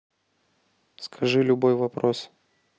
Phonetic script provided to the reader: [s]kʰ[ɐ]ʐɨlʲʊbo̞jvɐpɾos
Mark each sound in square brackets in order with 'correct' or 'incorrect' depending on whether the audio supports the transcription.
correct, correct

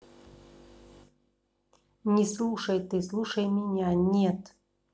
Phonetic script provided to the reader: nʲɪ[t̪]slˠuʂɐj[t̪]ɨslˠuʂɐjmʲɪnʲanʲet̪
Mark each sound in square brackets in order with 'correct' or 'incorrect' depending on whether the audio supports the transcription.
incorrect: none, correct

